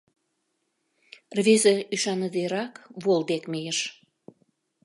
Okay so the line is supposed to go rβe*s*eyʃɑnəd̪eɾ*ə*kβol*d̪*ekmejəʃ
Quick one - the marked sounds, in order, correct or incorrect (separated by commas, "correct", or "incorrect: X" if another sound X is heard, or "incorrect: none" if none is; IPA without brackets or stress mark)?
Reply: incorrect: z, incorrect: ɑ, correct